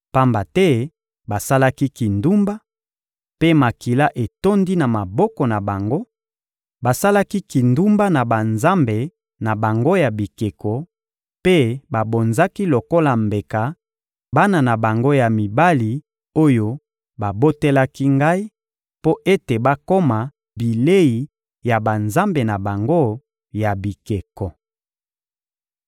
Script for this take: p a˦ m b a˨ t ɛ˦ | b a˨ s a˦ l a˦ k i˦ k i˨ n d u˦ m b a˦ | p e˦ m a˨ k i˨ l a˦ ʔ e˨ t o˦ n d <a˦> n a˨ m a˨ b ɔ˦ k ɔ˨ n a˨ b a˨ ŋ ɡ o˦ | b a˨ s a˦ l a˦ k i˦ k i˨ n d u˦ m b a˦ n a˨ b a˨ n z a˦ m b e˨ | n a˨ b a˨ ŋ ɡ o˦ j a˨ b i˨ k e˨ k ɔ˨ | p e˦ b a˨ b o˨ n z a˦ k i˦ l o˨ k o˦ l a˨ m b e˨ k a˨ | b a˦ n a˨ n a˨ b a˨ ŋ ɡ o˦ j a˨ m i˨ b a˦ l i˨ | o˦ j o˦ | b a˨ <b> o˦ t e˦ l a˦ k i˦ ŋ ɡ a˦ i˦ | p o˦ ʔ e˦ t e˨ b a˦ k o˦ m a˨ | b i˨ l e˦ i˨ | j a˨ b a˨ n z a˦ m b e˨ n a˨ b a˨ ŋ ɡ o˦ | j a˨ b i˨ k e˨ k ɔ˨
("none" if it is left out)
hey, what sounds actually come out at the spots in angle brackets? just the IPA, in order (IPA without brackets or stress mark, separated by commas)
i˦, b